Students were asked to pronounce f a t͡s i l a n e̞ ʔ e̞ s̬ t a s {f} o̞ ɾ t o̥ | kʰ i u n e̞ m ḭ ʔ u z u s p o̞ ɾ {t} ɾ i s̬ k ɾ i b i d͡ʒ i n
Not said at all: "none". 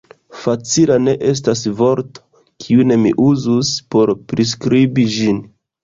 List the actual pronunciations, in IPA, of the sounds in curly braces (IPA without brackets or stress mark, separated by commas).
v, p